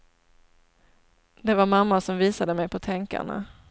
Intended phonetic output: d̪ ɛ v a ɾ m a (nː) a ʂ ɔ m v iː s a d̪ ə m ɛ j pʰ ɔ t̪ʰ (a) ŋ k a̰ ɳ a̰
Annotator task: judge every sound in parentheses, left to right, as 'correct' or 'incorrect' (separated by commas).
incorrect, incorrect